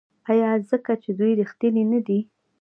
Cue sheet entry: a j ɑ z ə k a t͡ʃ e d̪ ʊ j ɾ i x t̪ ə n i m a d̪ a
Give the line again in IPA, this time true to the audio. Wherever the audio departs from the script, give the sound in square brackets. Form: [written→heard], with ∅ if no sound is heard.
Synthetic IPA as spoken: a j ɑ z ə k a t͡ʃ e d̪ [ʊ→u] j ɾ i x t̪ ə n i [m→n] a d̪ [a→i]